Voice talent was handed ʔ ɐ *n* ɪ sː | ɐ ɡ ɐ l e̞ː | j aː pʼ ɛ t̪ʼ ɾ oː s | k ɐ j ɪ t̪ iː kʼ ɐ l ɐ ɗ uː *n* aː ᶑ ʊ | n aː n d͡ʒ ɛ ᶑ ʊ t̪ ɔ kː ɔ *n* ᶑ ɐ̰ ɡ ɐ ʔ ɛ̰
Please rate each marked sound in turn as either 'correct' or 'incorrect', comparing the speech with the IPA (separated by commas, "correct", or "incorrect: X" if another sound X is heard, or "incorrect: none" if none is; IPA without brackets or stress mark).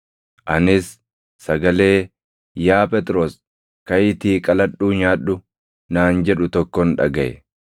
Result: correct, incorrect: ɲ, correct